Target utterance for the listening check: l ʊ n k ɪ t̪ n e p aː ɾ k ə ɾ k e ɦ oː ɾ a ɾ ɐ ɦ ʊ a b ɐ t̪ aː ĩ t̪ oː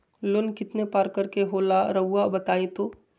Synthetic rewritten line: l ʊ n k ɪ t̪ n e p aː ɾ k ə ɾ k e ɦ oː l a ɾ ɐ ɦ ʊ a b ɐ t̪ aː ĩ t̪ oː